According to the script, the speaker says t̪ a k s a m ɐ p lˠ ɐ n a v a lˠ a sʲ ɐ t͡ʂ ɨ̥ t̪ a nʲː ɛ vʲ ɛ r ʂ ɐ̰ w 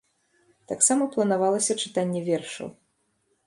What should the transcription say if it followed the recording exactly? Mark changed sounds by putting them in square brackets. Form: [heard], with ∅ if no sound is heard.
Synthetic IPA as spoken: t̪ a k s a m ɐ p lˠ ɐ n a v a lˠ [ɐ] sʲ ɐ t͡ʂ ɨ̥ t̪ a nʲː ɛ vʲ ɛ r ʂ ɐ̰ w